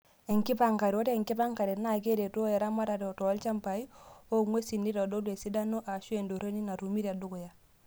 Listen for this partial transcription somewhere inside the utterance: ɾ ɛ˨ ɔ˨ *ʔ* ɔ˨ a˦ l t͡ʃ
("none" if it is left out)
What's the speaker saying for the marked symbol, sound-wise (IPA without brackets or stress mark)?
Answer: t